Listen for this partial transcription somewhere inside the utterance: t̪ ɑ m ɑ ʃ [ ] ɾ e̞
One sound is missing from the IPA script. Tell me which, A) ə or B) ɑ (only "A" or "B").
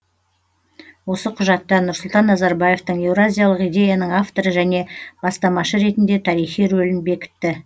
A